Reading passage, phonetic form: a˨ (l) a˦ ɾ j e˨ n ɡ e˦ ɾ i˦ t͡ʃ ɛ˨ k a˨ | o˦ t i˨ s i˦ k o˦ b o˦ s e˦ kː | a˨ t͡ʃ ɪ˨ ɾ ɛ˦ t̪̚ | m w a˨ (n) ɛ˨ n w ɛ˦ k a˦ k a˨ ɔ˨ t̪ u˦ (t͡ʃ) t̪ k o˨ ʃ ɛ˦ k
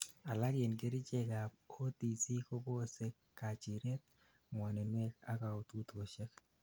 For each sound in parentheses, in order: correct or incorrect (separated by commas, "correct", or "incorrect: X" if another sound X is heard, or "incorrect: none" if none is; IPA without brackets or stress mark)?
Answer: correct, correct, incorrect: none